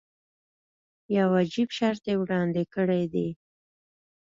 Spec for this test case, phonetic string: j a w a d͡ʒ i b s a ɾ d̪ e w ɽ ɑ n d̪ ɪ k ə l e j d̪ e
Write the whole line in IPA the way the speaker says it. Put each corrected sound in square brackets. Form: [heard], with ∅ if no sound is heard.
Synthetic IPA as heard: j a w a d͡ʒ i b [ʃ] a ɾ [t̪] e w ɽ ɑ n d̪ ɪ k ə [ɽ] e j d̪ e